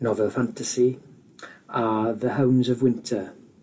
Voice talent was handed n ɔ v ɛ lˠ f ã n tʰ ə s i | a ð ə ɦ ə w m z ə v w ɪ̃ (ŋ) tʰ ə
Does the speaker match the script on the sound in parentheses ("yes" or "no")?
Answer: no